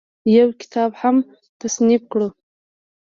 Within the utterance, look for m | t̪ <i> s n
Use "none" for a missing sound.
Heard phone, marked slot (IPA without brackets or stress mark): a